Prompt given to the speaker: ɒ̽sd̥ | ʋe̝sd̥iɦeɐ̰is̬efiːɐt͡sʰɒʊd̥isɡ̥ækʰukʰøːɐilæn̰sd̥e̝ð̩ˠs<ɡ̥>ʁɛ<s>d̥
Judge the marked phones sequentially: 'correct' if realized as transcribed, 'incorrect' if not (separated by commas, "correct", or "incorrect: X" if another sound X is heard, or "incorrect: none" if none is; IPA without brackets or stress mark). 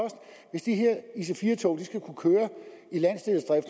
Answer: incorrect: d̥, incorrect: f